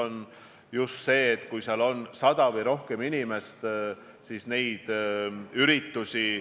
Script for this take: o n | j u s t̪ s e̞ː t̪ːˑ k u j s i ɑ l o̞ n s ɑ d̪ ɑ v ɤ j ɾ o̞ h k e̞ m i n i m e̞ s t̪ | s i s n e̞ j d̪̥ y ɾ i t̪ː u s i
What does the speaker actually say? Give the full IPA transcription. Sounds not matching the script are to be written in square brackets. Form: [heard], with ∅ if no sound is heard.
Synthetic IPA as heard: o n | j u s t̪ s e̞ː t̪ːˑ k u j s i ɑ l o̞ n s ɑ d̪ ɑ v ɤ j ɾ o̞ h k e̞ m i n i m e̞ s t̪ | s i s n e̞ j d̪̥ y ɾ i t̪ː u s i